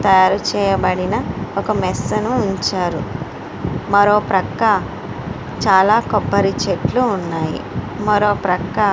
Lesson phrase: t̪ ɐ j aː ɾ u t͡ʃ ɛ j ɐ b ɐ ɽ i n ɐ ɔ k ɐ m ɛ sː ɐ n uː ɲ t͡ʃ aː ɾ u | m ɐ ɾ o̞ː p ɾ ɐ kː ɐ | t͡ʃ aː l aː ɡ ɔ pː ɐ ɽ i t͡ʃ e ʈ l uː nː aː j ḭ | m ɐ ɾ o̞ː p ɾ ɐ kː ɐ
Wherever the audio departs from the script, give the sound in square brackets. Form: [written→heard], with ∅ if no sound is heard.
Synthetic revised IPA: t̪ ɐ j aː ɾ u t͡ʃ [ɛ→ɛː] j ɐ b ɐ ɽ i n ɐ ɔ k ɐ m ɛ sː ɐ n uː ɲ t͡ʃ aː ɾ u | m ɐ ɾ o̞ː p ɾ ɐ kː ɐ | t͡ʃ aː l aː [ɡ→k] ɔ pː ɐ [ɽ→ɾ] i t͡ʃ e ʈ l uː nː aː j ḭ | m ɐ ɾ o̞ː p ɾ ɐ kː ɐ